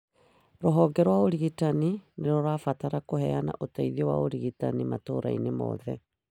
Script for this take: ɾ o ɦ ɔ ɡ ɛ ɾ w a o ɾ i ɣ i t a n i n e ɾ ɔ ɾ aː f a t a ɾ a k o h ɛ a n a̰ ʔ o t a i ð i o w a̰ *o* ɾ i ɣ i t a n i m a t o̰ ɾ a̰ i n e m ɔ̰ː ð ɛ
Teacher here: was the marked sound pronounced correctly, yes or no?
yes